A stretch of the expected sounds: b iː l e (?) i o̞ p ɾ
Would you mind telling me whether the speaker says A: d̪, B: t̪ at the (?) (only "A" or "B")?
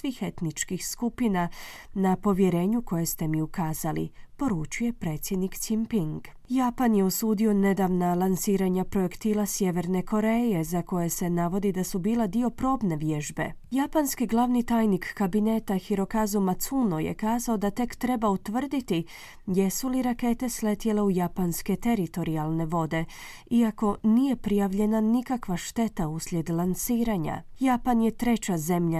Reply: A